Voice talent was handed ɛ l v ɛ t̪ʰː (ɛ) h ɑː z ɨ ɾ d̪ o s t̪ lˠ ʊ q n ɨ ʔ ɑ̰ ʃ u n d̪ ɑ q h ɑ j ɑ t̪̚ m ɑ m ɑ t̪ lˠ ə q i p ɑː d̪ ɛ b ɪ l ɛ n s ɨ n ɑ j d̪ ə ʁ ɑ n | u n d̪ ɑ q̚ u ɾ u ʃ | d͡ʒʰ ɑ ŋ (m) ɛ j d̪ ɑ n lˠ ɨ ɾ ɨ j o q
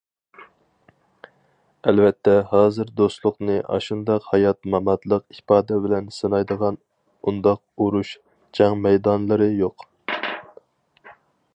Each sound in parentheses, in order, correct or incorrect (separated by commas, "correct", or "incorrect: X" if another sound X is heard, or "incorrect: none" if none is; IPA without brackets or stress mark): correct, correct